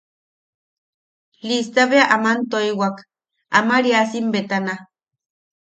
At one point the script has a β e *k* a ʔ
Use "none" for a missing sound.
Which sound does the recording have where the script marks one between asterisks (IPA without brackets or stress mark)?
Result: none